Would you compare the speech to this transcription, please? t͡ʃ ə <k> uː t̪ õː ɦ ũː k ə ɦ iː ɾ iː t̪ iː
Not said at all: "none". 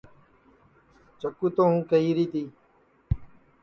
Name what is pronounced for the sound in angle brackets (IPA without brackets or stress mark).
k